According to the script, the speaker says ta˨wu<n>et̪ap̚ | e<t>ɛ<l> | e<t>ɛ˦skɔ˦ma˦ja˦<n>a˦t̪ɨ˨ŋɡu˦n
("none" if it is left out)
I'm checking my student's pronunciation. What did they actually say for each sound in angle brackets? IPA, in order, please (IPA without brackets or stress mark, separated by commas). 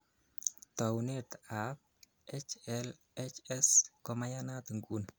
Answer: n, t͡ʃ, l, t͡ʃ, n